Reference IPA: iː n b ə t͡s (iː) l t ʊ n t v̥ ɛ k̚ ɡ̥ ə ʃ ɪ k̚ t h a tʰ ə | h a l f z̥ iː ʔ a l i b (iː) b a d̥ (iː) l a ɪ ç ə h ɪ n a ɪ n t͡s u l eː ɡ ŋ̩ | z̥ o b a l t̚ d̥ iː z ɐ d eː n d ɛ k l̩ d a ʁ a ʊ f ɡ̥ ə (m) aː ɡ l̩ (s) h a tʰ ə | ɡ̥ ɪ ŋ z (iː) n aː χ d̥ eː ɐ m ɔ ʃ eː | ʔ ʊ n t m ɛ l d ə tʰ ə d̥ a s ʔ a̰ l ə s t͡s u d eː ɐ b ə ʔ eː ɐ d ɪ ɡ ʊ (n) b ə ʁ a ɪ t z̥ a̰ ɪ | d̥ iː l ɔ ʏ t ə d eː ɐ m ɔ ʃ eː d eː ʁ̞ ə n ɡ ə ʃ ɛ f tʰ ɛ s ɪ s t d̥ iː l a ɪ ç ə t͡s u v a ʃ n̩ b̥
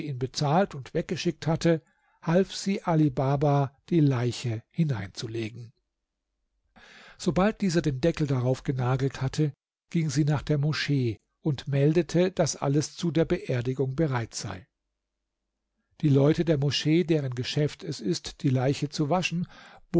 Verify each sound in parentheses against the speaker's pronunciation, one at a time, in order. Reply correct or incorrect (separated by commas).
incorrect, incorrect, correct, incorrect, incorrect, correct, incorrect